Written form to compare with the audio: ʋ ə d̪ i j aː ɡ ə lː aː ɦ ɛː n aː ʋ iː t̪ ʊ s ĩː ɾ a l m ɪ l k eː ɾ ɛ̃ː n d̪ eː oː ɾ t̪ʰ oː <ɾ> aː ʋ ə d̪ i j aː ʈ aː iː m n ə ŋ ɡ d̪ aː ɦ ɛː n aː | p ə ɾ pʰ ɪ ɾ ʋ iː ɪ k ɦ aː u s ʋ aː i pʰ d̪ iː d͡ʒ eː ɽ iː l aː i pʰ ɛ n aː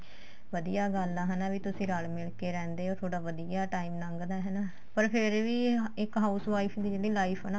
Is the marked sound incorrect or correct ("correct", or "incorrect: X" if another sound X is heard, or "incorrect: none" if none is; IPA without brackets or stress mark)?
incorrect: ɽ